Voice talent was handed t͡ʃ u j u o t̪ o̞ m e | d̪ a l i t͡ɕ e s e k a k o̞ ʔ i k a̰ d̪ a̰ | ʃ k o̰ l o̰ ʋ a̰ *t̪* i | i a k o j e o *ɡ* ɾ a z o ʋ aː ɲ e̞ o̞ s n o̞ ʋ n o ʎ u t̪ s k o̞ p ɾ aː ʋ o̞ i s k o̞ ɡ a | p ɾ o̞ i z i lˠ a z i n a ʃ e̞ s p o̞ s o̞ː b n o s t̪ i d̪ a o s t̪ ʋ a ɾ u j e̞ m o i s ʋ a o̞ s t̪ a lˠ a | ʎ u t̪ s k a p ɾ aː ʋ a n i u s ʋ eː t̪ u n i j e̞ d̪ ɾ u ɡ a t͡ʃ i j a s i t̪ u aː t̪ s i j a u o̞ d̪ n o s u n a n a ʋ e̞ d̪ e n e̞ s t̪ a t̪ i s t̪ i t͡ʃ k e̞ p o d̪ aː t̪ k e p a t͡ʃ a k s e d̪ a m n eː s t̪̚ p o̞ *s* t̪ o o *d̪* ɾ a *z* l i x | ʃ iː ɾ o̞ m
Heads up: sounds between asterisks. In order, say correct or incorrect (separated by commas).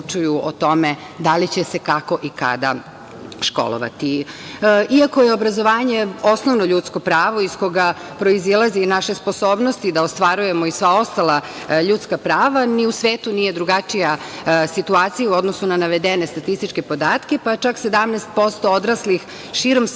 correct, incorrect, correct, correct, incorrect